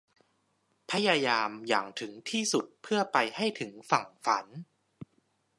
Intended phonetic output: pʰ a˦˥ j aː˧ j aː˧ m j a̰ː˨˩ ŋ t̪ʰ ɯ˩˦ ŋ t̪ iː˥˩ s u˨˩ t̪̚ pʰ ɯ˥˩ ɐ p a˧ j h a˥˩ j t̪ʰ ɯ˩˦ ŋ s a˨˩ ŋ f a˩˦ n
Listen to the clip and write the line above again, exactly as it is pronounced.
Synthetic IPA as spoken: pʰ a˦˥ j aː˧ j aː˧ m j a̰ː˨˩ ŋ t̪ʰ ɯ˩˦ ŋ t̪ʰ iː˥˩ s u˨˩ t̪̚ pʰ ɯ˥˩ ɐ p a˧ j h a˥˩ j t̪ʰ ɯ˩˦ ŋ f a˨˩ ŋ f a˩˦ n